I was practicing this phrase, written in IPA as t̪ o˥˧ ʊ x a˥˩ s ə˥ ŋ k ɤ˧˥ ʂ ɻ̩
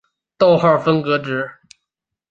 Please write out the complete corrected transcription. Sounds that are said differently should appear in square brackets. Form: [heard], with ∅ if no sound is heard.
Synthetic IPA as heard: t̪ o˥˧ ʊ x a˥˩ [f] ə˥ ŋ k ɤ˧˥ [ʈ͡ʂ] ɻ̩